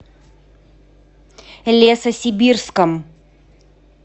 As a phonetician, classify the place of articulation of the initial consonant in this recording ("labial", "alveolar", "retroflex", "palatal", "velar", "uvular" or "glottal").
alveolar